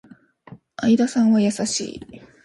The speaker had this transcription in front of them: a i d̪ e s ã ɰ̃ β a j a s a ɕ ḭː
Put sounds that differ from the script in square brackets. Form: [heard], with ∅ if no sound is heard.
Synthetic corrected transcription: a i d̪ [a] s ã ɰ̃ β a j a s a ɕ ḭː